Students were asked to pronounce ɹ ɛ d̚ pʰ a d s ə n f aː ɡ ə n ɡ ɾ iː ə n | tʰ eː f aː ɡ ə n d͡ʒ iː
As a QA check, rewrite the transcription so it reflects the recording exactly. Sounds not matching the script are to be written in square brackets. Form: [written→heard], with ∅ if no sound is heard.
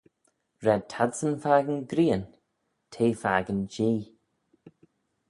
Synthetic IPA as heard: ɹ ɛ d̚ [pʰ→tʰ] a d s ə n f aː ɡ ə n ɡ ɾ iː ə n | tʰ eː f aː ɡ ə n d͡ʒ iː